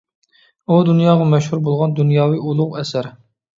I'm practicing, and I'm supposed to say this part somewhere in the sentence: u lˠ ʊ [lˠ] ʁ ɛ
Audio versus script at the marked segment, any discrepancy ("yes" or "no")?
yes